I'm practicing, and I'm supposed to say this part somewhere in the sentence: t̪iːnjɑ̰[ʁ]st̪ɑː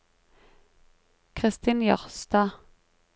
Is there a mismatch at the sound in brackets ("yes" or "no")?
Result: no